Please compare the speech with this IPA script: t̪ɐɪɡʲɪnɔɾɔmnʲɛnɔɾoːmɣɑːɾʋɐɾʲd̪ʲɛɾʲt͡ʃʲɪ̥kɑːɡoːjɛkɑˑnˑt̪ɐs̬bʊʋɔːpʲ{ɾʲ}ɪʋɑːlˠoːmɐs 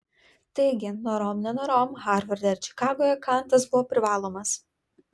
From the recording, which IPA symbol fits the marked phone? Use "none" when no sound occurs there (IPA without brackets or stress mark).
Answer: ɾʲ